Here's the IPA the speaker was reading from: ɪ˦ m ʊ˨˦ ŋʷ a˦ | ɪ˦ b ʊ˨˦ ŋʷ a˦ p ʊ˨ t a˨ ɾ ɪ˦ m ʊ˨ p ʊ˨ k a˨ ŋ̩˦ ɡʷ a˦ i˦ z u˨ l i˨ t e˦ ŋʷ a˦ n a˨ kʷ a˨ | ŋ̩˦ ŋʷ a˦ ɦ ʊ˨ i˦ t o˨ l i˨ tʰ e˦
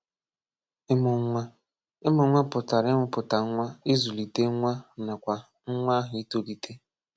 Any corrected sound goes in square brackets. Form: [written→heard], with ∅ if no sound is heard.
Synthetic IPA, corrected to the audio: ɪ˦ m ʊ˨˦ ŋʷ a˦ | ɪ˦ [b→m] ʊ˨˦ ŋʷ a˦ p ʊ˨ t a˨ ɾ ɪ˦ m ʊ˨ p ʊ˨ [k→t] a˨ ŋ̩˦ [ɡʷ→ŋʷ] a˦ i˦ z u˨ l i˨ t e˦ ŋʷ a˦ n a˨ kʷ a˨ | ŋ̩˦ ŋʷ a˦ ɦ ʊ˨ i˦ t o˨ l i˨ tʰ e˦